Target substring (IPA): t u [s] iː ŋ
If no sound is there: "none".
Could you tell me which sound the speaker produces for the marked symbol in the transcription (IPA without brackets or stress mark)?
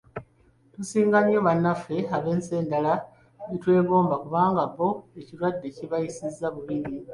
s